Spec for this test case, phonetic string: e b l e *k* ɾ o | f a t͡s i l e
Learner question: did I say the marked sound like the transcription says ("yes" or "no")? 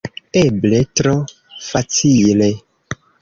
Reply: no